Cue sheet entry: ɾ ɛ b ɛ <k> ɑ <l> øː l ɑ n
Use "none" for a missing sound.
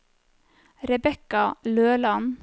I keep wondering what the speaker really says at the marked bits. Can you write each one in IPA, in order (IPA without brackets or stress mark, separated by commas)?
k, l